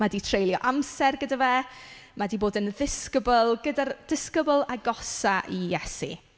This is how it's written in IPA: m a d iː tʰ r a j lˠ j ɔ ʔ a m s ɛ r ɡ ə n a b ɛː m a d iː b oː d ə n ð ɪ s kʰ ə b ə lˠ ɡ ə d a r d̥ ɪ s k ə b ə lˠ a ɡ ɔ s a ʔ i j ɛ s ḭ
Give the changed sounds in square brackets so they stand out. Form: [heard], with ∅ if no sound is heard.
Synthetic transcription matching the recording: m a d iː tʰ r [e] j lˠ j ɔ ʔ a m s ɛ r ɡ ə [d] a [v] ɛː m a d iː b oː d ə n ð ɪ s [k] ə b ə lˠ ɡ ə d a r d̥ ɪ s k ə b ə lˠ a ɡ ɔ s a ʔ i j ɛ s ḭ